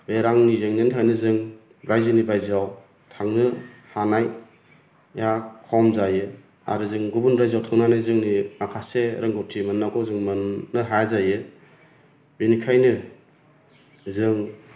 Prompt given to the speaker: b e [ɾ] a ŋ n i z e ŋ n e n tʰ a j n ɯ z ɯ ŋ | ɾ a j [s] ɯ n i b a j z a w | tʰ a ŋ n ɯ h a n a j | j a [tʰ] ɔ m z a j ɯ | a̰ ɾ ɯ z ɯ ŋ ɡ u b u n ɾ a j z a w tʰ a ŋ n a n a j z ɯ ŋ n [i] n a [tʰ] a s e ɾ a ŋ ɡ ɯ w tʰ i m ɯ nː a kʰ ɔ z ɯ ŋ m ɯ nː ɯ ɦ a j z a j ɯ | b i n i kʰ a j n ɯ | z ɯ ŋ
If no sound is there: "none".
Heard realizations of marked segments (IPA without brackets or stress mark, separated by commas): ɾ, z, kʰ, i, kʰ